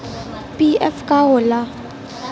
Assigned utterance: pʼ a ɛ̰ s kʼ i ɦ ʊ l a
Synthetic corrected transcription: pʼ i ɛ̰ f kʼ a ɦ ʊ l a